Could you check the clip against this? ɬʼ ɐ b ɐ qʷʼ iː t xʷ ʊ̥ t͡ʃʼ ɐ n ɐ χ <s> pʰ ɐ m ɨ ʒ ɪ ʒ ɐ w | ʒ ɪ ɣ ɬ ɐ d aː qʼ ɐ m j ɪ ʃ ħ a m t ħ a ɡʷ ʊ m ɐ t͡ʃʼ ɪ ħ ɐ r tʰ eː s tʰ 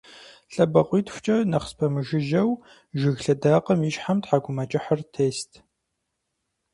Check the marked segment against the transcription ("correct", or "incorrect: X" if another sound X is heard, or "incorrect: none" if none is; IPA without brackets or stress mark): correct